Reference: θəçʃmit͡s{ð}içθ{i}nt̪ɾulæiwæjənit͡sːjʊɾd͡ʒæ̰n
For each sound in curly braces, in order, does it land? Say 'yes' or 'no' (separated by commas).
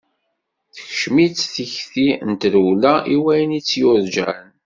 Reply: no, yes